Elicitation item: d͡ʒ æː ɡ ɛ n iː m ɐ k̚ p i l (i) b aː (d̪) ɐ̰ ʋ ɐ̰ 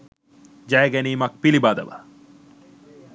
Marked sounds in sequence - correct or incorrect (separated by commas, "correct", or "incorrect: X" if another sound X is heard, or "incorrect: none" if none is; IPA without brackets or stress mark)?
correct, correct